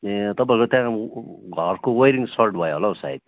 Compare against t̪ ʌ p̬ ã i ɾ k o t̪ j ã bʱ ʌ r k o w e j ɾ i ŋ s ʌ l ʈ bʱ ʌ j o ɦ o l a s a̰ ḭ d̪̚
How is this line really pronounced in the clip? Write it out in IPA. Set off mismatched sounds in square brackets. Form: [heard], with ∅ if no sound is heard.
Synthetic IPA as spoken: t̪ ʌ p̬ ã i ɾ k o t̪ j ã [ɡʱ] ʌ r k o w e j ɾ i ŋ s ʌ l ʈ bʱ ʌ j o ɦ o l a s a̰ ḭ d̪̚